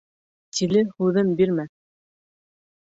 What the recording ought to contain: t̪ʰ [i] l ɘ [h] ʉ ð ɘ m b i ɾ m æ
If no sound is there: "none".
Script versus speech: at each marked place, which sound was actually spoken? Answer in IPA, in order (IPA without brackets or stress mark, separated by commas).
i, h